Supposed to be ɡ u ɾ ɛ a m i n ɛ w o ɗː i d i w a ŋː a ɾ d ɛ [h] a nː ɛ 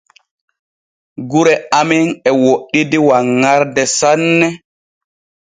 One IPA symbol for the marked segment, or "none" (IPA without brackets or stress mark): s